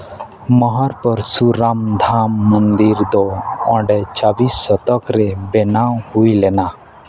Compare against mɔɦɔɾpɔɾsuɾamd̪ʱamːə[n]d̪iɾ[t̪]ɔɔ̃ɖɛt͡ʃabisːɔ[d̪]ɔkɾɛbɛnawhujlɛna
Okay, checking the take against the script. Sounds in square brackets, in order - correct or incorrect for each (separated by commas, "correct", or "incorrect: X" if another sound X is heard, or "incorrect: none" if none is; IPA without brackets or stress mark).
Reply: correct, incorrect: d̪, incorrect: t̪